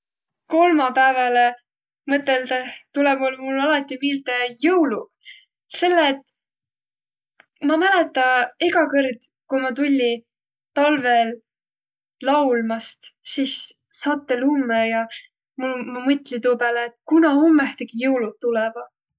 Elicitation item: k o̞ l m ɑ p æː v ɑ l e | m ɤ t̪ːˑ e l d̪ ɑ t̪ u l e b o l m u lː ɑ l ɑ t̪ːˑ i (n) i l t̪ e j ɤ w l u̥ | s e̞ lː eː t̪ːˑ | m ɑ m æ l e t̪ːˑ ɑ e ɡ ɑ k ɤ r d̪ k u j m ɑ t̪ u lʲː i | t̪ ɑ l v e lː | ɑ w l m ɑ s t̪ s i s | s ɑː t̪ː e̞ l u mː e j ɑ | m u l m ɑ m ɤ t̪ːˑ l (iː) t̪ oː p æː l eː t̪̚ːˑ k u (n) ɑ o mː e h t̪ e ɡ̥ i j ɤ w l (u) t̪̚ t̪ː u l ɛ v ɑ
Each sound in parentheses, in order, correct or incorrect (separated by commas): incorrect, incorrect, correct, correct